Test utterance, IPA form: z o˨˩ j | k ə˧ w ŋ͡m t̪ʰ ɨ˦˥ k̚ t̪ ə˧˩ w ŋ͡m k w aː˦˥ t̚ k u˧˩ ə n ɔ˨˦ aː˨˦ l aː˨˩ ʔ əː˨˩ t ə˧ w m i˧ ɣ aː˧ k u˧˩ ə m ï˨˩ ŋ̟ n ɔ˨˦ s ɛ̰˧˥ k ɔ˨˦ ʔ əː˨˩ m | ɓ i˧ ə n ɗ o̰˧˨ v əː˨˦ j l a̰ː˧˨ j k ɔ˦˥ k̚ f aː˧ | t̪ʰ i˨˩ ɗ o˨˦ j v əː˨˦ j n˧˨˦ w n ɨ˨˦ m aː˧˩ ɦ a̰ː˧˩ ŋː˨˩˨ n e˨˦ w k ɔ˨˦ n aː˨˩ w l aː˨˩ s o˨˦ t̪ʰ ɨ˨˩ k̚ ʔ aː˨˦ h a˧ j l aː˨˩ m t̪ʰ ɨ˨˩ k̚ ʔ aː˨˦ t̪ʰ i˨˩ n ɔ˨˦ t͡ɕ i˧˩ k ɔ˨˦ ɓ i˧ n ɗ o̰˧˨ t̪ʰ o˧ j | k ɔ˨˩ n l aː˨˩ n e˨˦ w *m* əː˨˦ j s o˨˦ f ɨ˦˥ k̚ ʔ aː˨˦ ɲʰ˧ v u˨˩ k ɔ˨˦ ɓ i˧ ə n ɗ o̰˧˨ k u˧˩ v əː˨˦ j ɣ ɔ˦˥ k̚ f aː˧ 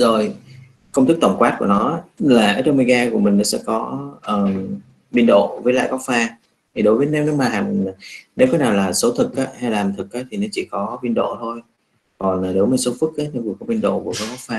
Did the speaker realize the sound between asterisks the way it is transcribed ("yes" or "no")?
yes